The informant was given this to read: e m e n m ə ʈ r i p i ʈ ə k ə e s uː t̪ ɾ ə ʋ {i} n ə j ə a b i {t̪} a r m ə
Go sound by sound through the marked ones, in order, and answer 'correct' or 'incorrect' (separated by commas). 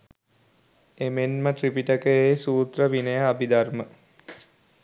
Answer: correct, incorrect